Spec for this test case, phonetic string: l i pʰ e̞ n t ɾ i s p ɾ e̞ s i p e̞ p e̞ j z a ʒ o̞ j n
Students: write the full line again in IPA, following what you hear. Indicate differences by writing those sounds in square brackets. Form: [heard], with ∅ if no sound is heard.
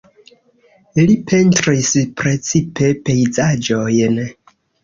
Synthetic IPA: l i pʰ e̞ n t ɾ i s p ɾ e̞ [t͡s] i p e̞ p e̞ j z a [d͡ʒ] o̞ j n